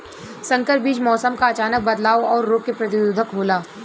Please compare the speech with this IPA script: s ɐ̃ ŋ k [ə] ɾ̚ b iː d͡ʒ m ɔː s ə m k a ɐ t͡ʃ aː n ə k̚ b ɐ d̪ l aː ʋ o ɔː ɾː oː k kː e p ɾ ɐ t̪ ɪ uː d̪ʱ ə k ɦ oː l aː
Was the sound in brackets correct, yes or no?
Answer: yes